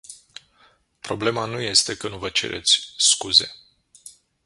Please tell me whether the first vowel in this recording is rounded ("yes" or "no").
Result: yes